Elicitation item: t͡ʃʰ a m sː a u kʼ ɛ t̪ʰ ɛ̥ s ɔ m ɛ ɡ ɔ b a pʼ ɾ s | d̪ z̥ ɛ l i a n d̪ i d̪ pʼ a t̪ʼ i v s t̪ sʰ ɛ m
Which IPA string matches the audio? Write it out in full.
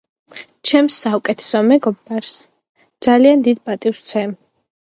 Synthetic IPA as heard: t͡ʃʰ ɛ m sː a u kʼ ɛ t̪ʰ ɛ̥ s ɔ m ɛ ɡ ɔ b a ɾ s | d̪ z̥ a l i a n d̪ i d̪ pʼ a t̪ʼ i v s t̪ sʰ ɛ m